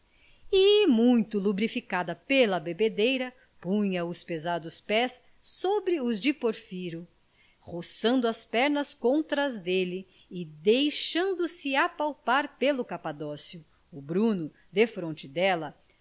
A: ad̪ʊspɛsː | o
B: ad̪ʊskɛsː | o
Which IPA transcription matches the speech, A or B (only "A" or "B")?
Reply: A